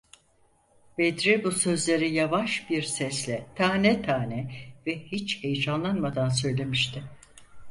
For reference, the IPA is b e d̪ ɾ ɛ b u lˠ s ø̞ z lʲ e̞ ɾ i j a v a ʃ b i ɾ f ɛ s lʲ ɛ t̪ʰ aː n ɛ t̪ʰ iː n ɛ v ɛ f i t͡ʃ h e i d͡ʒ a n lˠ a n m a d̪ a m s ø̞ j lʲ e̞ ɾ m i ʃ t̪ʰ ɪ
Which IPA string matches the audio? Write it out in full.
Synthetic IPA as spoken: b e d̪ ɾ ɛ b u s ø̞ z lʲ e̞ ɾ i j a v a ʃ b i ɾ s ɛ s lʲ ɛ t̪ʰ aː n ɛ t̪ʰ aː n ɛ v ɛ h i t͡ʃ h e j d͡ʒ a n lˠ a n m a d̪ a n s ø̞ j lʲ e̞ m i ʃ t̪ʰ ɪ